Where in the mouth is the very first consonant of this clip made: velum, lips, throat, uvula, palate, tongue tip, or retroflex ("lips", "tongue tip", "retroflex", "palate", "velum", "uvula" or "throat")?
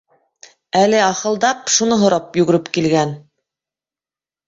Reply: tongue tip